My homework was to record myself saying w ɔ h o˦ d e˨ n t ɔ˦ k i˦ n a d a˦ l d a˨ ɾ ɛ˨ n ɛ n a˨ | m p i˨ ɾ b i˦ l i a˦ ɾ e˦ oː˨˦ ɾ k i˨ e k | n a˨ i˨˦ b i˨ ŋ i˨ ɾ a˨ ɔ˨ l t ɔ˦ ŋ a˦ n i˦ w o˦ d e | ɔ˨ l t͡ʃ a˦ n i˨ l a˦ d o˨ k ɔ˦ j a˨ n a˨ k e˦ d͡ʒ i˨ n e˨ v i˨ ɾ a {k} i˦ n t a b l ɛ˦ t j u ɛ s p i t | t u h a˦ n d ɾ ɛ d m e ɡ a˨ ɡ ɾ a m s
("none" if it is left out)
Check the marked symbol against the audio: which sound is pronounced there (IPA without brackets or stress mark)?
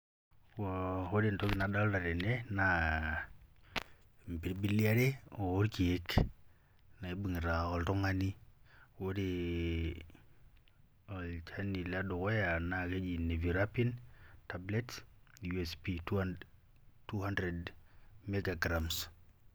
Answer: p